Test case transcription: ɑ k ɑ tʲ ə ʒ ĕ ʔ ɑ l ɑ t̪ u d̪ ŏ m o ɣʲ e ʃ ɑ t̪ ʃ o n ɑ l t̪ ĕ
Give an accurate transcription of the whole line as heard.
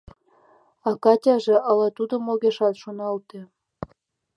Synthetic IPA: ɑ k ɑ tʲ ɑ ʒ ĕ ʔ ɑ l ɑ t̪ u d̪ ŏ m o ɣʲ e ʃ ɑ t̪ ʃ o n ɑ l t̪ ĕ